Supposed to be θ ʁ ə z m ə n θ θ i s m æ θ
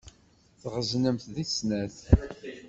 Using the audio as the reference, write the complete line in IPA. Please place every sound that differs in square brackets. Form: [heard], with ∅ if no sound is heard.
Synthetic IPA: θ ʁ ə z [n] ə [m] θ [ð] i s [n] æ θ

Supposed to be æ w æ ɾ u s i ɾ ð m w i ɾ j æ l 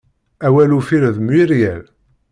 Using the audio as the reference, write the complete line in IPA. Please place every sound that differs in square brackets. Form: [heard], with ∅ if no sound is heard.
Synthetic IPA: æ w æ [l] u [f] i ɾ ð m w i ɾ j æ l

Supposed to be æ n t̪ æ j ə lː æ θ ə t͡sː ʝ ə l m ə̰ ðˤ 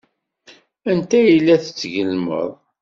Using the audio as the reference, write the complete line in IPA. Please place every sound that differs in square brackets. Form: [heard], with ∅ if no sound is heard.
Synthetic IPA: æ n t̪ æ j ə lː æ θ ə t͡sː ʝ ə l m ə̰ ðˤ

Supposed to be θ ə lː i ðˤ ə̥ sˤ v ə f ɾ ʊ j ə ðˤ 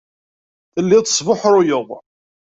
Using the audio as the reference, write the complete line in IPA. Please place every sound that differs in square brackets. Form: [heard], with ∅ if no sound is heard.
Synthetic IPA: θ ə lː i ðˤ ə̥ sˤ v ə [ħ] ɾ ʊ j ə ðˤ

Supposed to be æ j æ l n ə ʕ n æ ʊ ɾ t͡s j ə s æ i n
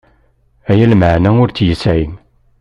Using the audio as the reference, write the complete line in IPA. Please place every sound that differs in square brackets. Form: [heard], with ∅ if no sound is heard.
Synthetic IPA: æ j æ l [m] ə ʕ n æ ʊ ɾ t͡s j ə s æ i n

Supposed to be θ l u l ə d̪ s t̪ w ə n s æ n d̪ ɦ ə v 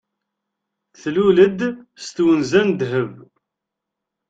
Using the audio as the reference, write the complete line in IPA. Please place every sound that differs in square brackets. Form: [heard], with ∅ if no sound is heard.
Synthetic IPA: θ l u l ə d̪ s t̪ w ə n [z] æ n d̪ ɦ ə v

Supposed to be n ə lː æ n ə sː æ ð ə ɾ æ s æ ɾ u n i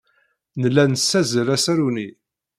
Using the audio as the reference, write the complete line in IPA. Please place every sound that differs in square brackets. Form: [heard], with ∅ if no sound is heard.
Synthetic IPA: n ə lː æ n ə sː æ [z] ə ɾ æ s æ ɾ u n i

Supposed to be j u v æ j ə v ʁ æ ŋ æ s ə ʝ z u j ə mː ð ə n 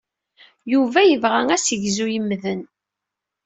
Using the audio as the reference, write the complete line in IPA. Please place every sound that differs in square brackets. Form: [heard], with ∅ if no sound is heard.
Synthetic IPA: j u v æ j ə v ʁ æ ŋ æ s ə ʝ z u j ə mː ð ə n

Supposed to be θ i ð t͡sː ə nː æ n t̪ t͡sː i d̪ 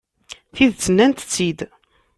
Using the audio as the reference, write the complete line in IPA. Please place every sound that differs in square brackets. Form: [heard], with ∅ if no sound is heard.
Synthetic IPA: θ i ð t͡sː ə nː æ n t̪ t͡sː i d̪

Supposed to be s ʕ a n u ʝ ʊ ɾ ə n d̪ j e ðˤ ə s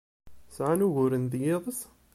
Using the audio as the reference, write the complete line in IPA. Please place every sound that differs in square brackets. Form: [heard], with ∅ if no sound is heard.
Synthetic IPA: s ʕ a n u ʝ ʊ ɾ ə n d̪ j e ðˤ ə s

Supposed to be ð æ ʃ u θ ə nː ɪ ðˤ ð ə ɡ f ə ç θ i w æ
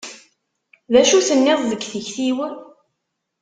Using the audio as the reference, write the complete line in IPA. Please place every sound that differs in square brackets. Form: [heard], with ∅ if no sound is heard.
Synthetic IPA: ð æ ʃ u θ ə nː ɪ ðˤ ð ə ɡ [θ] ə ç θ i w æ

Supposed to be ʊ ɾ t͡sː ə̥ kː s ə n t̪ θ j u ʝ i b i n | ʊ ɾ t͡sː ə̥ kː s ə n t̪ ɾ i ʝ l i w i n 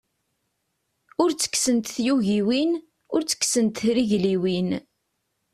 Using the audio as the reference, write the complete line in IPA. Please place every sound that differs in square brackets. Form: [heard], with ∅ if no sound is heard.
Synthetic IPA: ʊ ɾ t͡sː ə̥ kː s ə n t̪ θ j u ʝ i [w] i n | ʊ ɾ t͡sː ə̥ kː s ə n t̪ ɾ i ʝ l i w i n

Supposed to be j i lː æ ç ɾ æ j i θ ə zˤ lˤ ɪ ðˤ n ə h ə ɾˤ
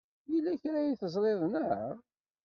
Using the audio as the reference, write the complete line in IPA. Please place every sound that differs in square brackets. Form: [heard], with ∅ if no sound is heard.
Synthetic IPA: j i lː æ ç ɾ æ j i θ ə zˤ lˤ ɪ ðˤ n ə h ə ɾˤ

